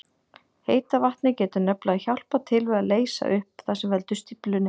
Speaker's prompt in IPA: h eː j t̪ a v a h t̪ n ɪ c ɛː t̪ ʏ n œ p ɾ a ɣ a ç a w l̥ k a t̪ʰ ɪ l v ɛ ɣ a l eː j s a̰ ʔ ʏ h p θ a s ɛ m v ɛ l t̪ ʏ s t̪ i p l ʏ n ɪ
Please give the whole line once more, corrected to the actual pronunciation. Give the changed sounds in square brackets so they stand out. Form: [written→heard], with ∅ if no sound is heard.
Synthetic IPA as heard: h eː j t̪ a v a h t̪ n ɪ c ɛː t̪ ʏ n œ p [ɾ→l] a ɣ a ç a w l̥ [k→p] a t̪ʰ ɪ l v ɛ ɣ a l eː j s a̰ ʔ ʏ h p θ a s ɛ m v ɛ l t̪ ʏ s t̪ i p l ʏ n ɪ